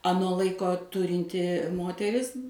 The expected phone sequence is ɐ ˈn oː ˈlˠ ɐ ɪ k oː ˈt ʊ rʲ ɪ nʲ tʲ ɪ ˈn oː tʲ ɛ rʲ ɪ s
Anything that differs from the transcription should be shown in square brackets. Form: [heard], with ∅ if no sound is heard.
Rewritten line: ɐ ˈn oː ˈlˠ ɐ ɪ k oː ˈt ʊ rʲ ɪ nʲ tʲ ɪ [ˈm] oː tʲ ɛ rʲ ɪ s